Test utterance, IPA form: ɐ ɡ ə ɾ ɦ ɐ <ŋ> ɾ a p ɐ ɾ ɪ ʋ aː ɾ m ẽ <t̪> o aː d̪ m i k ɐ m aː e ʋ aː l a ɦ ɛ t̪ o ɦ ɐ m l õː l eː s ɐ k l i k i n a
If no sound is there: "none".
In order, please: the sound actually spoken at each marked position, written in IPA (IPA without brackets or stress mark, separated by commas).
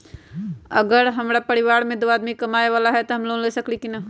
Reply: m, d̪